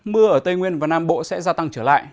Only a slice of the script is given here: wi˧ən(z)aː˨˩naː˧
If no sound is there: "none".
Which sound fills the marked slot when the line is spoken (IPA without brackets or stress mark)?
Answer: v